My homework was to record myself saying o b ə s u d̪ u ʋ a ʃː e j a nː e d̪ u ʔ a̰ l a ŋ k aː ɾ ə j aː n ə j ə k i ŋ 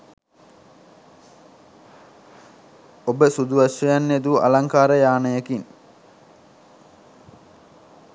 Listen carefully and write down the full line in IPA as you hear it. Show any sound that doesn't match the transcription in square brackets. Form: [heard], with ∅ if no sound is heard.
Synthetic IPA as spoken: o b ə s u d̪ u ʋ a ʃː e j a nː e d̪ u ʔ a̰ l a ŋ k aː ɾ ə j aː n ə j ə k i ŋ